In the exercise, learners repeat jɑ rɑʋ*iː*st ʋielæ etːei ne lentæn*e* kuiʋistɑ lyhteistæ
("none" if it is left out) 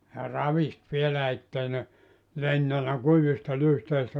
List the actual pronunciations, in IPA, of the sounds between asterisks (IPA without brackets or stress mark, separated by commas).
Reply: i, æ